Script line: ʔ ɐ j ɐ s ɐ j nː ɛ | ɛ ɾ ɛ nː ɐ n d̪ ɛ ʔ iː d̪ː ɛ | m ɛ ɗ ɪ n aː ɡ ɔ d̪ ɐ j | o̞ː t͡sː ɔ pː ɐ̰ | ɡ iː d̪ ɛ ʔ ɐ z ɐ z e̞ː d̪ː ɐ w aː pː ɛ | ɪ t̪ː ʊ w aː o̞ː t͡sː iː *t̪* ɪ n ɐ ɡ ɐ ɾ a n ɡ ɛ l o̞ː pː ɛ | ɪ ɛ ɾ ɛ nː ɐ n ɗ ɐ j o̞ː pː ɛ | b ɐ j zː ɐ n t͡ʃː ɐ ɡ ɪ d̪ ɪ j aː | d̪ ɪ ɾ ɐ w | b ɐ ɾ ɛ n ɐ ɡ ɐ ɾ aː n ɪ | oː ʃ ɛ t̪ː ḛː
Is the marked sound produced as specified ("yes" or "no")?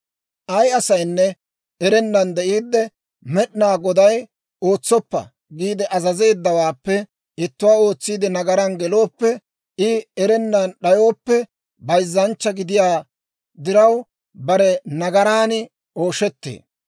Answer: no